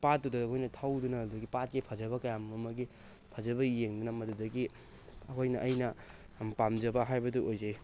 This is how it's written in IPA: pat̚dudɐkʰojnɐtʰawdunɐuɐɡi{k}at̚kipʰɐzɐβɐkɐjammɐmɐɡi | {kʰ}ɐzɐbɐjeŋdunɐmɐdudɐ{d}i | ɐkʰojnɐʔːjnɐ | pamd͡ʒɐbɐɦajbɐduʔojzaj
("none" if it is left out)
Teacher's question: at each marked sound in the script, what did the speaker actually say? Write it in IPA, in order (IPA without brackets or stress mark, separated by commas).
p, pʰ, ɡ